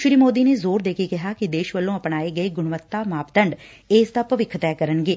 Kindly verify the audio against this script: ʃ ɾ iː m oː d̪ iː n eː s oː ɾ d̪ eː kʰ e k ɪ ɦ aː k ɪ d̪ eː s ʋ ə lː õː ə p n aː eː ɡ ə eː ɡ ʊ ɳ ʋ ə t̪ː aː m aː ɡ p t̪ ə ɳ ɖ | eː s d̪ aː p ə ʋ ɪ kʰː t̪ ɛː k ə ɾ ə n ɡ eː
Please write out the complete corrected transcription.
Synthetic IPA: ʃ ɾ iː m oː d̪ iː n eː z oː ɾ d̪ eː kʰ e k ɪ ɦ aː k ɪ d̪ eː ʃ ʋ ə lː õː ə p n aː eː ɡ ə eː ɡ ʊ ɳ ʋ ə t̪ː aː m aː p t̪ ə ɳ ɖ | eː s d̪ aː p ə ʋ ɪ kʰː t̪ ɛː k ə ɾ ə n ɡ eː